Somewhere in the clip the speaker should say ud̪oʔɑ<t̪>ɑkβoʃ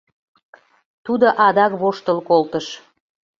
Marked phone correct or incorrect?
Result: incorrect